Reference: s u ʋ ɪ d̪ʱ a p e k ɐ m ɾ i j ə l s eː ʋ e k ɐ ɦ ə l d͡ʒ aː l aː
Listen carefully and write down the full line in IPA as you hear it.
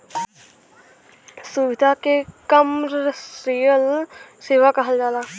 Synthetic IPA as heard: s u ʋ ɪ d̪ʱ a k e k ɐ m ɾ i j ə l s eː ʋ a k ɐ ɦ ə l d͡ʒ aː l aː